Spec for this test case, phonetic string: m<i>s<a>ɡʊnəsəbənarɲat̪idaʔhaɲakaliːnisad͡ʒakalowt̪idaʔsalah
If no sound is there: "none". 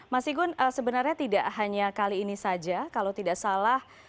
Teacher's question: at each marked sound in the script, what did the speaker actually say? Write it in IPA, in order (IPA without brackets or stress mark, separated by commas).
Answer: a, i